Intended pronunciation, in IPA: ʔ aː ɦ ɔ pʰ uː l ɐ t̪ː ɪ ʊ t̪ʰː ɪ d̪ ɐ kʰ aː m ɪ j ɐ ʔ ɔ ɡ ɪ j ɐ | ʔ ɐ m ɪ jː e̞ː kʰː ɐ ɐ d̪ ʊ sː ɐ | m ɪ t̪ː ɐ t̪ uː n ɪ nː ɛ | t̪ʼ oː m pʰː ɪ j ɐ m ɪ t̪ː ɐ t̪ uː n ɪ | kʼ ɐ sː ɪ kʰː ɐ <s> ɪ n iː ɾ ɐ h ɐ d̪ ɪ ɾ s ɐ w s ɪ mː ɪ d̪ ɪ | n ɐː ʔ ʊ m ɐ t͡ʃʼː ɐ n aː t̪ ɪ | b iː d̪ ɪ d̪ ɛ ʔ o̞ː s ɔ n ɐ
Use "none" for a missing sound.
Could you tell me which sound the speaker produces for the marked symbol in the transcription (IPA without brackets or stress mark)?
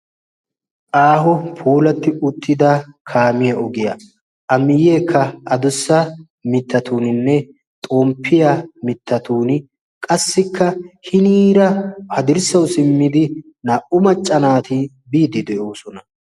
h